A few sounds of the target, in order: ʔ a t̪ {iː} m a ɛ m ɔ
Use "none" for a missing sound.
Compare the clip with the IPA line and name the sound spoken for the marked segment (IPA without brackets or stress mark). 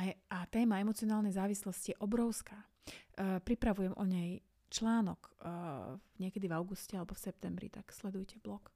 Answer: ɛː